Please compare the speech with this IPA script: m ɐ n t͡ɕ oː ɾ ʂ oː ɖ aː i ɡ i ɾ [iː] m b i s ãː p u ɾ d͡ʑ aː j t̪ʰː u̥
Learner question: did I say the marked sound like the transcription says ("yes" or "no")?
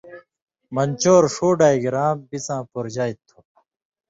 no